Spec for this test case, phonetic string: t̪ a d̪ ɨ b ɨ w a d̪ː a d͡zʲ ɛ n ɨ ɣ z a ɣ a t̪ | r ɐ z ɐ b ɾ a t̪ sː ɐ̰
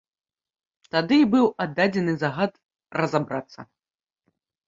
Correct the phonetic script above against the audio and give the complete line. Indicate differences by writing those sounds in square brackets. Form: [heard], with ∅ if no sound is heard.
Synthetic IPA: t̪ a d̪ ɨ b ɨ w a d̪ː a d͡zʲ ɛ n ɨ [∅] z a ɣ a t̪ | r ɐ z [a] b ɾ a t̪ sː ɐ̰